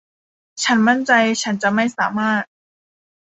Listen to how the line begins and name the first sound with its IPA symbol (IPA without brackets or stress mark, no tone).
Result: t͡ɕʰ